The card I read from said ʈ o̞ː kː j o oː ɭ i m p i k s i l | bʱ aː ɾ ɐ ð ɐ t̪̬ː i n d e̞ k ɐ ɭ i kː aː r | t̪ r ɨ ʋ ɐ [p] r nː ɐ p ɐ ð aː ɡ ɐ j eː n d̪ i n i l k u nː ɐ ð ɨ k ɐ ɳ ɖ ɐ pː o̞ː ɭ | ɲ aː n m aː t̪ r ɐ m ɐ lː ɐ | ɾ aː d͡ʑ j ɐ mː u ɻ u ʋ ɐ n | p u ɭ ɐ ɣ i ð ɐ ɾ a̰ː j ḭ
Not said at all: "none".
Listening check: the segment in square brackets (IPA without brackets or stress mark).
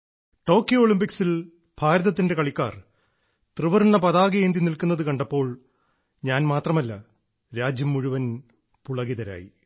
none